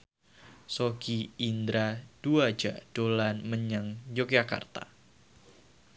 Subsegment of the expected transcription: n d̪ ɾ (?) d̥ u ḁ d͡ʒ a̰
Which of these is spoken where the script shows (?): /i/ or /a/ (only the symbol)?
a